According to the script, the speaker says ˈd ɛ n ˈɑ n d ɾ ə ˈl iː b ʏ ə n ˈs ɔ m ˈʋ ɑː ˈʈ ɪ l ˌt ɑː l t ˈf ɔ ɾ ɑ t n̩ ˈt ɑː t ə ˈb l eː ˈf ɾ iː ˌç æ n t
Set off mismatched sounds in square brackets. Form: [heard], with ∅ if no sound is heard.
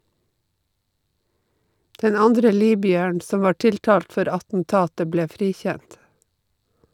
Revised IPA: ˈd ɛ n ˈɑ n d ɾ ə ˈl iː b ʏ ə [ɳ] ˈs ɔ m ˈʋ ɑː ˈʈ ɪ l ˌt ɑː l t ˈf ɔ ɾ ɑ t n̩ ˈt ɑː t ə ˈb l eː ˈf ɾ iː ˌç æ n t